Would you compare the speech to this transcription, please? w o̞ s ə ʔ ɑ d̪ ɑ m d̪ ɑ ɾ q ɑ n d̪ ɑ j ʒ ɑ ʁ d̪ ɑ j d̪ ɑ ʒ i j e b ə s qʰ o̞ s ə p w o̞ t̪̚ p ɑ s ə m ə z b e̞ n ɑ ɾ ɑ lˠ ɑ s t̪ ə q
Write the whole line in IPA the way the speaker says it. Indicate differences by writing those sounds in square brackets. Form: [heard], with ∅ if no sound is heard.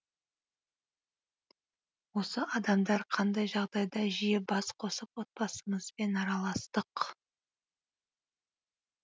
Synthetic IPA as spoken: w o̞ s ə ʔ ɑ d̪ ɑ m d̪ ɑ ɾ [qʰ] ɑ n d̪ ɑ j ʒ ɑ ʁ d̪ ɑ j d̪ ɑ ʒ i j e b [ɑ] s qʰ o̞ s ə p w o̞ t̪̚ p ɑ s ə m ə z b e̞ n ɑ ɾ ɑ lˠ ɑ s t̪ ə q